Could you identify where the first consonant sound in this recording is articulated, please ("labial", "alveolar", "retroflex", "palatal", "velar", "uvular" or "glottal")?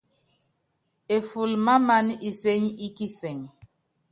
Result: labial